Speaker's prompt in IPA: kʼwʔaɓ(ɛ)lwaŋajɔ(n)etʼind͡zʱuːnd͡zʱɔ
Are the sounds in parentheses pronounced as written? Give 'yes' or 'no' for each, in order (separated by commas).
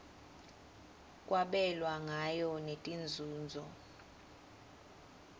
yes, yes